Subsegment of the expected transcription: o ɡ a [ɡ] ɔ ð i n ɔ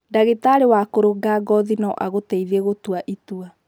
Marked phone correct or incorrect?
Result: correct